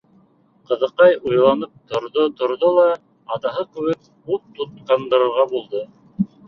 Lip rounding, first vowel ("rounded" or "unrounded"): unrounded